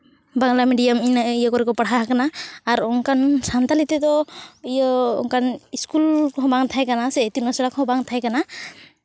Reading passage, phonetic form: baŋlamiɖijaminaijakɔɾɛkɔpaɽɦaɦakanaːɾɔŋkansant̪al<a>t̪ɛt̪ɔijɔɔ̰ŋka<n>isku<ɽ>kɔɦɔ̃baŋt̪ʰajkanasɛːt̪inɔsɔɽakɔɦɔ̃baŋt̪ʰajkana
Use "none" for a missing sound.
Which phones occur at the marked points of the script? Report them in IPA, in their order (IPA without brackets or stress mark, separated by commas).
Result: i, n, l